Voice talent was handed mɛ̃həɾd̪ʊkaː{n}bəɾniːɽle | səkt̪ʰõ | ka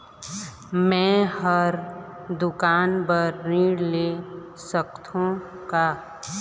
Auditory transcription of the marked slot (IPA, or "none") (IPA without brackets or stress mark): n